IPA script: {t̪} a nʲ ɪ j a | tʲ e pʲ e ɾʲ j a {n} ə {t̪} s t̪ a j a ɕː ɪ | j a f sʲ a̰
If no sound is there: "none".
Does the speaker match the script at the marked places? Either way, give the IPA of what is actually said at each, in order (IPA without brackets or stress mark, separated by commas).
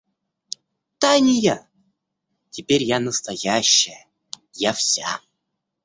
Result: t̪, n, none